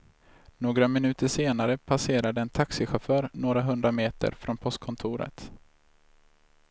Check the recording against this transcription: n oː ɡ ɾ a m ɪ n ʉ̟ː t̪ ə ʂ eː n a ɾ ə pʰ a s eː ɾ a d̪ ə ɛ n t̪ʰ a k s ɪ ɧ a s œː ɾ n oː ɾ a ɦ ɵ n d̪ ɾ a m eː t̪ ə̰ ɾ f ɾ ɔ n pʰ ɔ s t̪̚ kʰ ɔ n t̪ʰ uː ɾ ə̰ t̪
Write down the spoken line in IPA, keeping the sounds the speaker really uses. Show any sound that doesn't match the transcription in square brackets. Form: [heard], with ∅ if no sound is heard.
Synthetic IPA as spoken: n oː ɡ ɾ a m ɪ n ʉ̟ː t̪ ə ʂ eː n a ɾ ə pʰ a s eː ɾ a d̪ ə ɛ n t̪ʰ a k s ɪ ɧ a [f] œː ɾ n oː ɾ a ɦ ɵ n d̪ ɾ a m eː t̪ ə̰ ɾ f ɾ ɔ n pʰ ɔ s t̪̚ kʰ ɔ n t̪ʰ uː ɾ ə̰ t̪